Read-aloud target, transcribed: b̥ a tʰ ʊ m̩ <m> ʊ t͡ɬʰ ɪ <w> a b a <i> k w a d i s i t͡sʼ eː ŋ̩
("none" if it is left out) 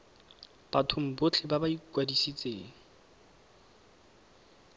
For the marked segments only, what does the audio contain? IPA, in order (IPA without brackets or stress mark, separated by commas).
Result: b, b, i